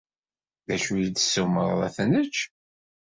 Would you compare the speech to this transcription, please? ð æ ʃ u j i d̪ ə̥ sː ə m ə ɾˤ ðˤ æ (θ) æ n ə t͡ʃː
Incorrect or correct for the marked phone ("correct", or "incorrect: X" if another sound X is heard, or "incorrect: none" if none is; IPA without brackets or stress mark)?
correct